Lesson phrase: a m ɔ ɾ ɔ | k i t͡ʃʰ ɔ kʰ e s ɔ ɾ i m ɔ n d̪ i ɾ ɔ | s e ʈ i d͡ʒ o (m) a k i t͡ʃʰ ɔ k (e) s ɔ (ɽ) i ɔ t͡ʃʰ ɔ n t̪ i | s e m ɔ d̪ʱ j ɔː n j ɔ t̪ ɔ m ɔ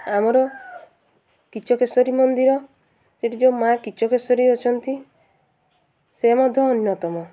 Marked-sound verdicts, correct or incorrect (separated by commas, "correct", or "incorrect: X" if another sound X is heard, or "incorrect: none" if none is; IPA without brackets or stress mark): correct, correct, incorrect: ɾ